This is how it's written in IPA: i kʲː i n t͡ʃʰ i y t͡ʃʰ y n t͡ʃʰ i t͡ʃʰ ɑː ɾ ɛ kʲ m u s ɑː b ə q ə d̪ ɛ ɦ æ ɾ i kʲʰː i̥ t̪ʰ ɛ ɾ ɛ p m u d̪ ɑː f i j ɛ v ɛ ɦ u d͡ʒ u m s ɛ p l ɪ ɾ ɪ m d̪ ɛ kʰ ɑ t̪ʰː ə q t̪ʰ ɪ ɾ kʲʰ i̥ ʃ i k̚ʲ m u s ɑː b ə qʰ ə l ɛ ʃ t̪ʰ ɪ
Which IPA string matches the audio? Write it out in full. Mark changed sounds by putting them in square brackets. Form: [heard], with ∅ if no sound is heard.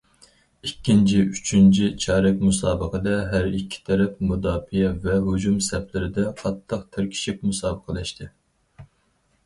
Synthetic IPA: i kʲː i n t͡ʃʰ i y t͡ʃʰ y n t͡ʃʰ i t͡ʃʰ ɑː ɾ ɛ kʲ m u s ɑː b ə q ə d̪ ɛ ɦ æ ɾ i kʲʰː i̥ t̪ʰ ɛ ɾ ɛ p m u d̪ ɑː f i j ɛ v ɛ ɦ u d͡ʒ u m s ɛ p l ɪ ɾ ɪ [∅] d̪ ɛ [qʰ] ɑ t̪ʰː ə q t̪ʰ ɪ ɾ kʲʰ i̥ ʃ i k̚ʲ m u s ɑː b ə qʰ ə l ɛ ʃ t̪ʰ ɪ